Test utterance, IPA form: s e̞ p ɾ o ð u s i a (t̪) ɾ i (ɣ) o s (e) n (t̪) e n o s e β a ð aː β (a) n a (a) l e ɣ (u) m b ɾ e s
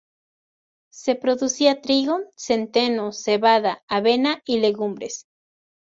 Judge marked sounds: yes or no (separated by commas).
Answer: yes, yes, yes, yes, no, no, yes